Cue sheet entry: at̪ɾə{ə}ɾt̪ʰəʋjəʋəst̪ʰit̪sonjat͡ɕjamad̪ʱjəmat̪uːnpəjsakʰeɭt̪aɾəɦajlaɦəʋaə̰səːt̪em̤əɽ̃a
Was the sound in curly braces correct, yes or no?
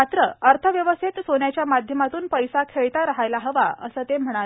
yes